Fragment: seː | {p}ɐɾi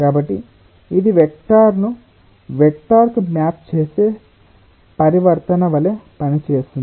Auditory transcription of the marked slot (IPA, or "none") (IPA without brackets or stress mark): p